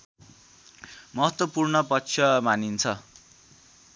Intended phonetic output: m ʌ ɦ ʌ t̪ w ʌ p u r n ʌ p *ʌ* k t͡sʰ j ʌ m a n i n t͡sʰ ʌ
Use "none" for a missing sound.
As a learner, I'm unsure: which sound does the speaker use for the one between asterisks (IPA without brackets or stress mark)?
ʌ